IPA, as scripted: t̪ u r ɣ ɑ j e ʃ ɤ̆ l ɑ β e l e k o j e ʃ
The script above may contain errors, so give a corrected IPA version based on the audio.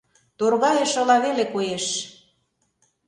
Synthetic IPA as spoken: t̪ o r ɣ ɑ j e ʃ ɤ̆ l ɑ β e l e k o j e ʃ